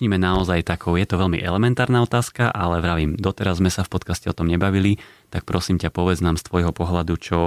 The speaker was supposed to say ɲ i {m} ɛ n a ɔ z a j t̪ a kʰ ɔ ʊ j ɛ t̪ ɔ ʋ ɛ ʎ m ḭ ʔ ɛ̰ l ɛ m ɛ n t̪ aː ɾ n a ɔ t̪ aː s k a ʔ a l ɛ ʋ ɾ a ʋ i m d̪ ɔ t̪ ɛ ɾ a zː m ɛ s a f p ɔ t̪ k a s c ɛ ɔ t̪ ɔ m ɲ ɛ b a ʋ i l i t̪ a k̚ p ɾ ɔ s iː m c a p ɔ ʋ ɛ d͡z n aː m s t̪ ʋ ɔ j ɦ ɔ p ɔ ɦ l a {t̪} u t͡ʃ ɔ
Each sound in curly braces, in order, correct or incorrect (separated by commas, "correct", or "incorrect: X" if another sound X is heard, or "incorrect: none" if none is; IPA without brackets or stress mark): correct, incorrect: d̪